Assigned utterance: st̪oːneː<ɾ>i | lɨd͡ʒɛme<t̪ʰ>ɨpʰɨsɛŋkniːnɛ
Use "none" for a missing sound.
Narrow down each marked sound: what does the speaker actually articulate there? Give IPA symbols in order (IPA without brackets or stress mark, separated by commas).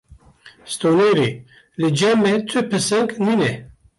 ɾ, t̪ʰ